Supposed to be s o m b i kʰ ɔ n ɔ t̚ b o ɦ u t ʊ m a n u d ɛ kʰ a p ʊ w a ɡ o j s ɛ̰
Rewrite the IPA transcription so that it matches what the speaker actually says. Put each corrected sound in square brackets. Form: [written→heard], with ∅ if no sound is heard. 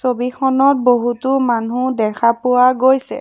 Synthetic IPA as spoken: s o [m→∅] b i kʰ ɔ n ɔ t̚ b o ɦ u t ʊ m a n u d ɛ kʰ a p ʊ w a ɡ o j s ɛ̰